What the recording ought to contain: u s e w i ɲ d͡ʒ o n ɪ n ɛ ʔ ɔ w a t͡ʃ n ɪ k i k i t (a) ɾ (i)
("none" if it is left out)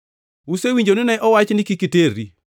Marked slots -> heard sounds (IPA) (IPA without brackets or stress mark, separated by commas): e, i